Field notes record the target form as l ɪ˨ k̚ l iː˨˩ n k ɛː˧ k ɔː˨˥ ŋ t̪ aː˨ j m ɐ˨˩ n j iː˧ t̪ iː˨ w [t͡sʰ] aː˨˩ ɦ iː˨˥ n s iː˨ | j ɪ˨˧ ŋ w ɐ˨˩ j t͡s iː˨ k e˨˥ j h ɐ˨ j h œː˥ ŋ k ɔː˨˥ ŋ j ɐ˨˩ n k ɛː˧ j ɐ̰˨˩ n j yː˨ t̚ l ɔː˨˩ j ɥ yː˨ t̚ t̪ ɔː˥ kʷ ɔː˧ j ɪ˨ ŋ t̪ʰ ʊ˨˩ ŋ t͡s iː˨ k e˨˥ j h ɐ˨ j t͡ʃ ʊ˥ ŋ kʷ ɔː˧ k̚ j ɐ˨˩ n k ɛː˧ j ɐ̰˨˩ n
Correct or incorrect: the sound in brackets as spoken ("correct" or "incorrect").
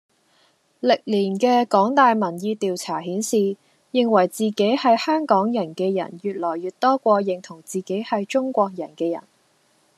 correct